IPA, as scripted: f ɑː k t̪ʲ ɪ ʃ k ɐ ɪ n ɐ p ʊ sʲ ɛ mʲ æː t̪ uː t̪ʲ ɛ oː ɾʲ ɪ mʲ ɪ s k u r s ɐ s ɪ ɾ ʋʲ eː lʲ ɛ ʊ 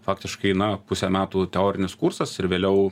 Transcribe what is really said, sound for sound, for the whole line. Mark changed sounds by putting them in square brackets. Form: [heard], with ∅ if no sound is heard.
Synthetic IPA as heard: f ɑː k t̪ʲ ɪ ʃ k ɐ ɪ n ɐ p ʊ sʲ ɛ mʲ æː t̪ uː t̪ʲ ɛ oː ɾʲ ɪ [nʲ] ɪ s k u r s ɐ s ɪ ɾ ʋʲ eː lʲ ɛ ʊ